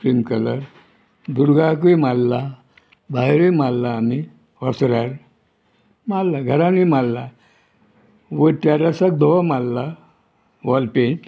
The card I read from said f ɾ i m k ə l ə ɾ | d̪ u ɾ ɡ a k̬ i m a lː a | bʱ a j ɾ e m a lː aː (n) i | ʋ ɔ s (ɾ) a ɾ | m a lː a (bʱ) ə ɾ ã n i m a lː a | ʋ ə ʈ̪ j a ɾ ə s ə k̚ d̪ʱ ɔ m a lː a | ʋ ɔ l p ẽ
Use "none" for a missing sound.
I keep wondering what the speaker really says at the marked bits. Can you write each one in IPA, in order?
m, ɾ, ɡʱ

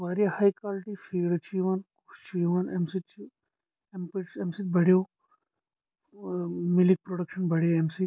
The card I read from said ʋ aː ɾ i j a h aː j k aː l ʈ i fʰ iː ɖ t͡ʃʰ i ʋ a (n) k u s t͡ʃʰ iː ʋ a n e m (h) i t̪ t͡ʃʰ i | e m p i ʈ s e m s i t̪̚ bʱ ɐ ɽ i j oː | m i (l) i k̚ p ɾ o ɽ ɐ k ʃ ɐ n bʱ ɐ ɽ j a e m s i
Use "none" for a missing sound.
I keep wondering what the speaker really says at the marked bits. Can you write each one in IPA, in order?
n, s, l

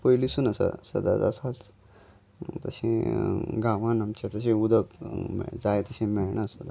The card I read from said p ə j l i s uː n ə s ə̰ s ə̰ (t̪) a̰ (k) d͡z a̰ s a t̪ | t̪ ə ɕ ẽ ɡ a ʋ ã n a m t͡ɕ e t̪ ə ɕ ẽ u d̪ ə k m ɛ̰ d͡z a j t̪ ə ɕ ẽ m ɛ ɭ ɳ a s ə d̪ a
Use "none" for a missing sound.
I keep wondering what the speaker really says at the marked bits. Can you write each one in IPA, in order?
d̪, none

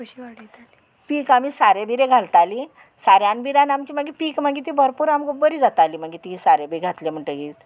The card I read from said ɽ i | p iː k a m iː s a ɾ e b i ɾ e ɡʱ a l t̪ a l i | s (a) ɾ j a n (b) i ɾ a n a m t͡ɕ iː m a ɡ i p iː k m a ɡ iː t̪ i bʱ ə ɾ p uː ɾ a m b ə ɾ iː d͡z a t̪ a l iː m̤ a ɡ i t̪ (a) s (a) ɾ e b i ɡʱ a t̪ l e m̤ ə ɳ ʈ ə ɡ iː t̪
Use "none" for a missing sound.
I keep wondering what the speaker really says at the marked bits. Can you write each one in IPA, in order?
a, b, i, a

